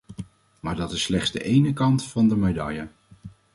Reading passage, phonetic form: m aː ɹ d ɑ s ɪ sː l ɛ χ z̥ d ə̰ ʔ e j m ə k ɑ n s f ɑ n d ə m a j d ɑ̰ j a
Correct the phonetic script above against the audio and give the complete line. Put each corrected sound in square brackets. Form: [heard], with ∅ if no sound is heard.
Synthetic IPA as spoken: m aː ɹ d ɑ [t] ɪ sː l ɛ χ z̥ d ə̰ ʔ e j [n] ə k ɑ n [t] f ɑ n d ə m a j d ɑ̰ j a